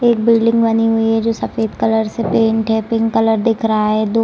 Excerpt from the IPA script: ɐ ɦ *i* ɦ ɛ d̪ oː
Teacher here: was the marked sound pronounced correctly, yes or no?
no